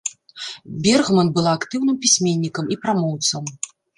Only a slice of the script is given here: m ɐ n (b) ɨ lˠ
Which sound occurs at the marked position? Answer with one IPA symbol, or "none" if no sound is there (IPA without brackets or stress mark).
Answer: b